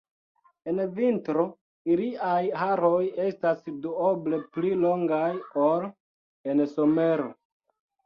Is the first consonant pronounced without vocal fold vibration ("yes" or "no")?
no